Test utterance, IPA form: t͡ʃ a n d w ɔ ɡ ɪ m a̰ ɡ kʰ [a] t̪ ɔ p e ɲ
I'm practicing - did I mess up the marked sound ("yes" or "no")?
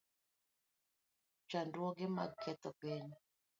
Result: yes